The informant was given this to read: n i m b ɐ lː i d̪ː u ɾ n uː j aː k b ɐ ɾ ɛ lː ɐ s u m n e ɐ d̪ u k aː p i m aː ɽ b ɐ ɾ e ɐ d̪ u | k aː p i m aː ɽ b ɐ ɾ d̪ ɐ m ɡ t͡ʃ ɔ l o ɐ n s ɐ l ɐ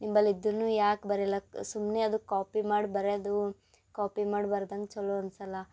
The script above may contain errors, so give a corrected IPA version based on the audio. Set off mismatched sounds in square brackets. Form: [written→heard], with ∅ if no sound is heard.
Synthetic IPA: n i m b ɐ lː i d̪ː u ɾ n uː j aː k b ɐ ɾ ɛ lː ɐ s u m n e ɐ d̪ u k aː p i m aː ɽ b ɐ ɾ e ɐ d̪ u | k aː p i m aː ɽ b ɐ ɾ d̪ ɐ [m→ŋ] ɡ t͡ʃ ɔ l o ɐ n s ɐ l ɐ